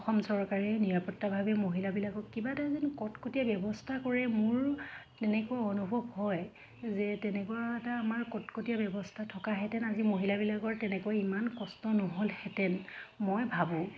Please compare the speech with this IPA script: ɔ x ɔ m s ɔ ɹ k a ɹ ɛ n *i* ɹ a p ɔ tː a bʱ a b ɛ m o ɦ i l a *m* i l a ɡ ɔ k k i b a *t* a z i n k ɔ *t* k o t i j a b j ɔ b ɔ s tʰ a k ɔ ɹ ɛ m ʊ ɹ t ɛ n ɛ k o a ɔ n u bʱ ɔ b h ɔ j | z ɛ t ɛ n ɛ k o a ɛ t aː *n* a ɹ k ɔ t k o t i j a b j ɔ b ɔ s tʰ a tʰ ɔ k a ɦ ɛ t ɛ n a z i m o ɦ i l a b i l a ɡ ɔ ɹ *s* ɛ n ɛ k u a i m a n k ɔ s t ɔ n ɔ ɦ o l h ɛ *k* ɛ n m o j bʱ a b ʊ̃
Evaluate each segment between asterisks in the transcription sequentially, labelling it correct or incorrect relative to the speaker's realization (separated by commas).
correct, incorrect, correct, correct, incorrect, incorrect, incorrect